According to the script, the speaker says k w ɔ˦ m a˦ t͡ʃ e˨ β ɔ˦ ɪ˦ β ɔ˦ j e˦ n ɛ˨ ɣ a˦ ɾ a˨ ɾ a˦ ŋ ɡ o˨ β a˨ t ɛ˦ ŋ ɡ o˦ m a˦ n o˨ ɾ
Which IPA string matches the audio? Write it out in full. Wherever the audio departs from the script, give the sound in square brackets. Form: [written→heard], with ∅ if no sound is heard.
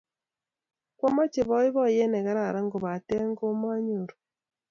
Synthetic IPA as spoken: k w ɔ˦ m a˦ t͡ʃ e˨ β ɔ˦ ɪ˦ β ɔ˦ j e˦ n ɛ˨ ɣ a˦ ɾ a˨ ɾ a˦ ŋ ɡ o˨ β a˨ t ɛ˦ ŋ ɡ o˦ m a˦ [n→ɲ] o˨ ɾ

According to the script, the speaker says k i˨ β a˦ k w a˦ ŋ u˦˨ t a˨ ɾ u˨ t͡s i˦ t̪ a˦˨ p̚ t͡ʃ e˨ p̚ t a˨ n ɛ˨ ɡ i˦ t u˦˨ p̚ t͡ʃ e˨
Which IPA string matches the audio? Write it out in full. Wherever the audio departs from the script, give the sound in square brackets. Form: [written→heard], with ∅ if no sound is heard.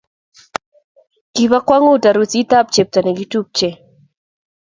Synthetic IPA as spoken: k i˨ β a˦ k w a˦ ŋ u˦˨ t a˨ ɾ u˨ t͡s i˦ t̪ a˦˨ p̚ t͡ʃ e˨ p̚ t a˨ n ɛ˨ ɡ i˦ t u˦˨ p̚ t͡ʃ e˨

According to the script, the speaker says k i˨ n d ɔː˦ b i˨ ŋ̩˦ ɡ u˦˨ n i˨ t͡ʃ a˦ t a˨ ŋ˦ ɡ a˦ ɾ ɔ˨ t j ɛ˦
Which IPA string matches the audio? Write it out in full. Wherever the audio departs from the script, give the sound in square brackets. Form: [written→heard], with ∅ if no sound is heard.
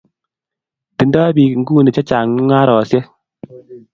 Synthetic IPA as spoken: [k→t] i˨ n d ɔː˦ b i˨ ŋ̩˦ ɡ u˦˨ n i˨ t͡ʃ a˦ [t→t͡ʃ] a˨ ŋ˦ [ɡ→ŋ] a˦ ɾ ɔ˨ [t→s] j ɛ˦

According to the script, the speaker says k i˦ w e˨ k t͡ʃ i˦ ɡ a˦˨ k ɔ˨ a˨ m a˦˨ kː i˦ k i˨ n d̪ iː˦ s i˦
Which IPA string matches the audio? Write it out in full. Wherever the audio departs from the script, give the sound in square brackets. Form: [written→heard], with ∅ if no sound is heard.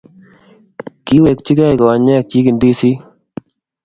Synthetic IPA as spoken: k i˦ w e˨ k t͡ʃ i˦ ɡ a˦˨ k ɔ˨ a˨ [m→ɲ] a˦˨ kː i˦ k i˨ n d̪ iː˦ s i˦

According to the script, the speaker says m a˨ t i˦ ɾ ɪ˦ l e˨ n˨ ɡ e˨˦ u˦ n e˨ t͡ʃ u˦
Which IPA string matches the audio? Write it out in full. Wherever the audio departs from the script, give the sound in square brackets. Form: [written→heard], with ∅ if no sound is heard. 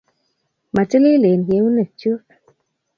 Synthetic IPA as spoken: m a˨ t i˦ [ɾ→l] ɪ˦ l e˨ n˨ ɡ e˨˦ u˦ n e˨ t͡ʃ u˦

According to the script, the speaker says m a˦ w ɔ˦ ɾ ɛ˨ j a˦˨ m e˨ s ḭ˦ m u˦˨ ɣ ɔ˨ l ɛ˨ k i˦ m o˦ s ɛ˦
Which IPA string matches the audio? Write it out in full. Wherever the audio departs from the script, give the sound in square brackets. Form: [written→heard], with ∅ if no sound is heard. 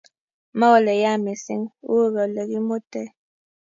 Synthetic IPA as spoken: m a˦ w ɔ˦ [ɾ→l] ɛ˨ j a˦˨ m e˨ s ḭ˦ [m→ŋ] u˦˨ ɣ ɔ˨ l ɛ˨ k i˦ m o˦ [s→t] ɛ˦

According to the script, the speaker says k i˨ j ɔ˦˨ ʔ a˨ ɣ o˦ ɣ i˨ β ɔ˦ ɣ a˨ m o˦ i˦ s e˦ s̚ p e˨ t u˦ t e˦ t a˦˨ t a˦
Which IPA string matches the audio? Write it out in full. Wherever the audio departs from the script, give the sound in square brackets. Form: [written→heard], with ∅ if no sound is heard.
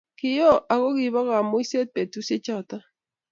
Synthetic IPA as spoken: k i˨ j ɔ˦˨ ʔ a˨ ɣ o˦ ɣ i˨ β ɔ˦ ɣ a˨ m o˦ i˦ s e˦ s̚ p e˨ t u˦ [t→s] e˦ [t→t͡ʃ] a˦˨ t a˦

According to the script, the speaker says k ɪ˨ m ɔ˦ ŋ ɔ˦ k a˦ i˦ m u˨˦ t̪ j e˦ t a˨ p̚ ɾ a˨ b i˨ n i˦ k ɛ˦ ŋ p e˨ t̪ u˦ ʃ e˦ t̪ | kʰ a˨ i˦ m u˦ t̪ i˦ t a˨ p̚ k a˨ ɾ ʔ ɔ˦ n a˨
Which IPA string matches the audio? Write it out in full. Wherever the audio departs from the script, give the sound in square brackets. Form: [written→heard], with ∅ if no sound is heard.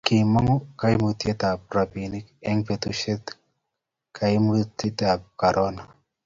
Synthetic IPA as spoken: k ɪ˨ m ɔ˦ ŋ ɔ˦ k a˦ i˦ m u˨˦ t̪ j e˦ t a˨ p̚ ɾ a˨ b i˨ n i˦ k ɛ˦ ŋ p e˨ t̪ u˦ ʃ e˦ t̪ | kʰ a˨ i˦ m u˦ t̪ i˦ t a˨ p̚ k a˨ ɾ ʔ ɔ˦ n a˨

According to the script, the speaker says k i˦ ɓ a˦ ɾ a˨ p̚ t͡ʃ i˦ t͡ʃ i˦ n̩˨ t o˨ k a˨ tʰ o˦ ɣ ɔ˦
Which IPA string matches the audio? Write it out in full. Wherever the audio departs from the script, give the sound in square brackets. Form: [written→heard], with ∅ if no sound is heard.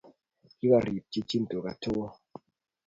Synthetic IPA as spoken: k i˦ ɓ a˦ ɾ [a˨→i˨] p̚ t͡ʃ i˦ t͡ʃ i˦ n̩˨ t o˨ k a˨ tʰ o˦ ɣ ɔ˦

